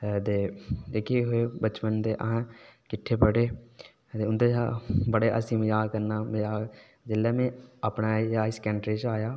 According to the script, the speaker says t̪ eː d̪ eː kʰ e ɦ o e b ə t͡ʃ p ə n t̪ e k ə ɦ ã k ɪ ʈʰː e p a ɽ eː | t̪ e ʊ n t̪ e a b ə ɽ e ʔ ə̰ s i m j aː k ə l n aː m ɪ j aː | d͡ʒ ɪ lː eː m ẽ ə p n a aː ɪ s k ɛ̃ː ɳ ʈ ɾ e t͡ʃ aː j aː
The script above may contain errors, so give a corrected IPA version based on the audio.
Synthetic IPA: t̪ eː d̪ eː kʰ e ɦ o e b ə t͡ʃ p ə n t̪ e ʔ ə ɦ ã k ɪ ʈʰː e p ə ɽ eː | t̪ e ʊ n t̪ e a b ə ɽ e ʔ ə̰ s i m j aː k ə ɾ n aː m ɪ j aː | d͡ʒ ɪ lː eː m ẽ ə p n a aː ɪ s k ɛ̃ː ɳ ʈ ɾ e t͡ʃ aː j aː